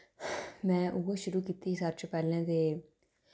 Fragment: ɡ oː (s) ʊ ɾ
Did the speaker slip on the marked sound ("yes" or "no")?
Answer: yes